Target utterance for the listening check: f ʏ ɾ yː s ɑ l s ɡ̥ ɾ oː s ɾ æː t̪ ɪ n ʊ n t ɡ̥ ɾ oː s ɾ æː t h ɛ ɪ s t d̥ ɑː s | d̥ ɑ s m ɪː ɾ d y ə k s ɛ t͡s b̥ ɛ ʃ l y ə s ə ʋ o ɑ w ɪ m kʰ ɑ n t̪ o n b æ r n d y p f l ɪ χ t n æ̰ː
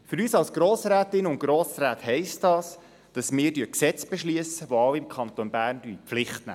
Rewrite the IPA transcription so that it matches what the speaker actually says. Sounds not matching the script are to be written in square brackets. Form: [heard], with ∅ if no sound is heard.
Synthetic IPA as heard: f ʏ ɾ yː s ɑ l s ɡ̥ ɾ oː s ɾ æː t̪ ɪ n ʊ n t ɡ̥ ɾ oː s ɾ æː t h ɛ ɪ s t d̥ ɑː s | d̥ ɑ s m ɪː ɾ d y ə k s ɛ t͡s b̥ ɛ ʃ l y ə s ə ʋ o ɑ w ɪ m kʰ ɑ n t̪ o n b [æː] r n d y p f l ɪ χ t n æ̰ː

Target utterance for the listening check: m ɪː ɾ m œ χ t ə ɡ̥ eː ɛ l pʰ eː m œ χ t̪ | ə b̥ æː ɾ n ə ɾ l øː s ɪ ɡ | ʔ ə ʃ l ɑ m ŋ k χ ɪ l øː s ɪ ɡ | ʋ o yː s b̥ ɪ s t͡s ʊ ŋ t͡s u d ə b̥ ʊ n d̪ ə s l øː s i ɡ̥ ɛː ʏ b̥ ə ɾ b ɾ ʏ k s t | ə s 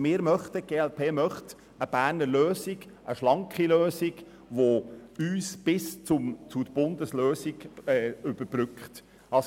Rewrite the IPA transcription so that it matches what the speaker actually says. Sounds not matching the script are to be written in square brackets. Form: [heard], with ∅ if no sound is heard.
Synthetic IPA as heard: m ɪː ɾ m œ χ t ə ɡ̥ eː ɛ l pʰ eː m œ χ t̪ | ə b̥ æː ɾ n ə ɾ l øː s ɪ ɡ | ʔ ə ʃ l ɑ [∅] ŋ k χ [i] l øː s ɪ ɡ | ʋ o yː s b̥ ɪ s t͡s ʊ [m] t͡s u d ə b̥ ʊ n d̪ ə s l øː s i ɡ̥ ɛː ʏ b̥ ə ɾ b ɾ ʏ k [χ] t | [ɑ] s

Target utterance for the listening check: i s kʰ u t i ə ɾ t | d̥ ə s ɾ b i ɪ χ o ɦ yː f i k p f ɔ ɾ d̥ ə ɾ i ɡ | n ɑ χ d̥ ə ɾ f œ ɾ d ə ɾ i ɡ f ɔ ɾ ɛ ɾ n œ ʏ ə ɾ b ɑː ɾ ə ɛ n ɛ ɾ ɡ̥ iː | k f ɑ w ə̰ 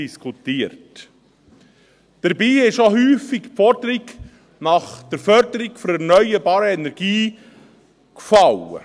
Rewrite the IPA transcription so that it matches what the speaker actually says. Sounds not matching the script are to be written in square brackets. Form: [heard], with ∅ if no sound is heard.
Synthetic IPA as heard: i s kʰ u t i ə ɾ t | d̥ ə [∅] ɾ b [iː] ɪ [ʃ] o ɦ yː f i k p f ɔ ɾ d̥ ə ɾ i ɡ | n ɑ χ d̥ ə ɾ f œ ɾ d ə ɾ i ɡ f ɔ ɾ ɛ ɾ n œ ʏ ə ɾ b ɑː ɾ ə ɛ n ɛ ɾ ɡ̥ iː | k f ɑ w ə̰

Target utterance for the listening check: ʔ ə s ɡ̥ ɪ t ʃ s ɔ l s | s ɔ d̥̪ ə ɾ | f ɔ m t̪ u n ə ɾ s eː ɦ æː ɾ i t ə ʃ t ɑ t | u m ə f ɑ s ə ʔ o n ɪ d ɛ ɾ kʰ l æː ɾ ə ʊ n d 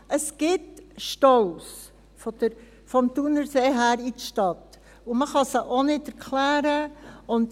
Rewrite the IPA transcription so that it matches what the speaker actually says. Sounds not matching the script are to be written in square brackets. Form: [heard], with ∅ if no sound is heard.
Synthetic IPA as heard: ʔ ə s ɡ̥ ɪ t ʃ [t] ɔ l s | [f] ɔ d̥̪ ə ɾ | f ɔ m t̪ u n ə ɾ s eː ɦ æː ɾ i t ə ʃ t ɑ t | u m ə [χ] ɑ s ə ʔ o n ɪ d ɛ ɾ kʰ l æː ɾ ə ʊ n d

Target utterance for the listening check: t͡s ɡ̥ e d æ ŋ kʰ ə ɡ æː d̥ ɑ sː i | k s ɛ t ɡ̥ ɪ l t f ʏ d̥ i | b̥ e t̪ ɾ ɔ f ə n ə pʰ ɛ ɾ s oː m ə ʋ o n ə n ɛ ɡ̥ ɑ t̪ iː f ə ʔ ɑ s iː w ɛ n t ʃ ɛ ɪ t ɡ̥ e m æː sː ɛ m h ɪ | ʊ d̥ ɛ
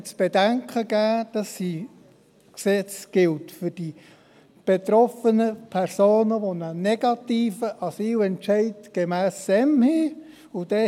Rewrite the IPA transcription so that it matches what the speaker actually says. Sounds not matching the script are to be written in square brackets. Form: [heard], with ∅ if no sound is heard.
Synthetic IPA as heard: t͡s [b̥] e d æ ŋ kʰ ə ɡ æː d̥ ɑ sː i | k s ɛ [t͡s] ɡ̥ ɪ l t f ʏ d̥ i | b̥ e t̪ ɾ ɔ f ə n ə pʰ ɛ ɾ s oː [n] ə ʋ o n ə n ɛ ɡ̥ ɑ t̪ iː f ə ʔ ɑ s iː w ɛ n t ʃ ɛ ɪ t ɡ̥ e m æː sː ɛ m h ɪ | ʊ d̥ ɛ

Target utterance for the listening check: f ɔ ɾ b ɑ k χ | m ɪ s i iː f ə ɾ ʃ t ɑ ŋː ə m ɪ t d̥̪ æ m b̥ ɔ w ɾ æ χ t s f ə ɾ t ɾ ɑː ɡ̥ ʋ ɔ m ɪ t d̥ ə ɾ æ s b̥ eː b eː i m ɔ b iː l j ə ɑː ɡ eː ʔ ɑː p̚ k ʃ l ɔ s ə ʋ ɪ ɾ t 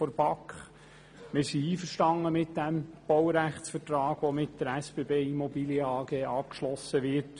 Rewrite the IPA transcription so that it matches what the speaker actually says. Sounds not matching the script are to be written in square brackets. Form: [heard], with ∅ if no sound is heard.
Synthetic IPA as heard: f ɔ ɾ b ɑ k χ | m ɪ s i iː f ə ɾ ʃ t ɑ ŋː ə m ɪ t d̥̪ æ m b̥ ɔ w ɾ æ χ t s f ə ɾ t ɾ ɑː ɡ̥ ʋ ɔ m ɪ t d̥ ə ɾ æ s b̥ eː b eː i m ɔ b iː l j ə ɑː ɡ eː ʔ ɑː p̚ k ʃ l ɔ s ə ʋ ɪ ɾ t

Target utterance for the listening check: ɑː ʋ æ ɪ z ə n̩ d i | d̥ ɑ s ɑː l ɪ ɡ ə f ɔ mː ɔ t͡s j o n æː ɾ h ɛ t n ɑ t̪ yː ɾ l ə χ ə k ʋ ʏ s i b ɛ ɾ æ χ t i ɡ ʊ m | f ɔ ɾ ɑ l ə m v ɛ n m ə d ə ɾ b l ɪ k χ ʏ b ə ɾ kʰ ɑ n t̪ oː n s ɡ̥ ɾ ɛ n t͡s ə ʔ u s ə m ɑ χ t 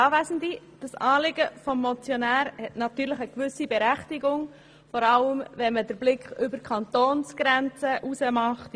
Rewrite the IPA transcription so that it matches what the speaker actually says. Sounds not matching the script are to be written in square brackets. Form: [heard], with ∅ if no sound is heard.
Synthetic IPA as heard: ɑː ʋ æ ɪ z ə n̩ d i | d̥ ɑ s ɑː l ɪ ɡ ə f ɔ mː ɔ t͡s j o n æː ɾ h ɛ t n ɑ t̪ yː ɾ l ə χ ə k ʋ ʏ s i b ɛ ɾ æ χ t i ɡ ʊ [ŋ] | f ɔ ɾ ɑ l ə m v ɛ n m ə d ə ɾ b l ɪ k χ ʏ b ə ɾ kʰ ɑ n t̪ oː n s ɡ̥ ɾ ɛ n t͡s ə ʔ u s ə m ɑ χ t

